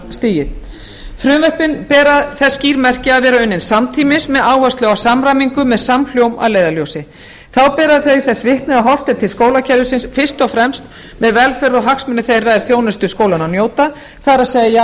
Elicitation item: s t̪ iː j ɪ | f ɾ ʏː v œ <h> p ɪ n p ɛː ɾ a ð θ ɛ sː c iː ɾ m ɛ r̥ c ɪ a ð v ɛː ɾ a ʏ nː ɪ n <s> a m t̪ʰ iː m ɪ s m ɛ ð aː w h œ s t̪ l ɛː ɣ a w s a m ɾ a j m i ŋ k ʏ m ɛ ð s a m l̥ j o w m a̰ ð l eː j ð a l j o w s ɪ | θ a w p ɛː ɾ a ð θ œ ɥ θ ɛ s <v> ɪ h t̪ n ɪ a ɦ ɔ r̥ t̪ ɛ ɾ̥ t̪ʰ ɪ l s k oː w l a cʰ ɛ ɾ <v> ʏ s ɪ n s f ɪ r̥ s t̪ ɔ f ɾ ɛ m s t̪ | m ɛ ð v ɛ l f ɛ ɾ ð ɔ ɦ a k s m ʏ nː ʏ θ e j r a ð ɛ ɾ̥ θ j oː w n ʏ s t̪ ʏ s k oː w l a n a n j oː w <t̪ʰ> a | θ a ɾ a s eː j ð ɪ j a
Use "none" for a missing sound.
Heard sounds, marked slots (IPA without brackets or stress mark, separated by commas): h, s, v, ð, t̪